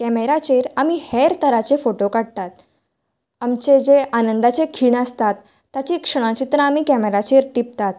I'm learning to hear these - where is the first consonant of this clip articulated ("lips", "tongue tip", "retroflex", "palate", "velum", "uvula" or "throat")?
velum